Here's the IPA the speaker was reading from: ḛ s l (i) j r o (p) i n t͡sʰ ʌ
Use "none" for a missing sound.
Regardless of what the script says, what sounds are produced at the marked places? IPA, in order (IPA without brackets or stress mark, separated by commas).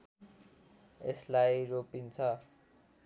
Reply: a, p